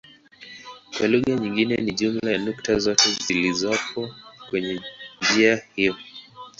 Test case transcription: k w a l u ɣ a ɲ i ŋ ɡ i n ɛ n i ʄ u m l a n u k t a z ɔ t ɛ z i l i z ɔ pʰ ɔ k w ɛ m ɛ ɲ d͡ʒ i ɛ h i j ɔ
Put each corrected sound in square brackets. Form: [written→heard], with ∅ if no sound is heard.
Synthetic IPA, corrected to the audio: k w a l u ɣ a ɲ i ŋ ɡ i n ɛ n i ʄ u m l a n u k t a z ɔ t ɛ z i l i z ɔ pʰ ɔ k w ɛ [m→ɲ] ɛ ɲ d͡ʒ i [ɛ→a] h i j ɔ